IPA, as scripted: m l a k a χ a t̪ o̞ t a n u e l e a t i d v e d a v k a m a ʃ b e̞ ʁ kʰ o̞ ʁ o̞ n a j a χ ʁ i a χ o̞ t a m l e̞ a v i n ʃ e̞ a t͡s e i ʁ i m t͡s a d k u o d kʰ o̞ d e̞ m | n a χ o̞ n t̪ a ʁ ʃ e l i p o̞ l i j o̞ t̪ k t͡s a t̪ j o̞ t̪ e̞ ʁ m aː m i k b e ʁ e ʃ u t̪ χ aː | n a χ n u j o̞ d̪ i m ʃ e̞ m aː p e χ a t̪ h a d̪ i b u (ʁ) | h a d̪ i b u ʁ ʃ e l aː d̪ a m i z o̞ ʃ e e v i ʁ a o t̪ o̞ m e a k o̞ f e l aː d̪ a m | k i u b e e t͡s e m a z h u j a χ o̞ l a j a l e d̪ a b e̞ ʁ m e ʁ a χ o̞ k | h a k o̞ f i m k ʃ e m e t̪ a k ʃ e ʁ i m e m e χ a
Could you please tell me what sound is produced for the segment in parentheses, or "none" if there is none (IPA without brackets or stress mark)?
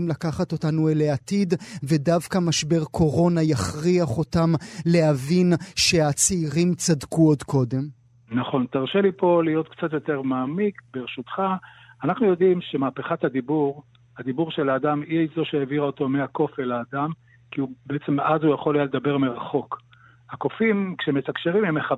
ʁ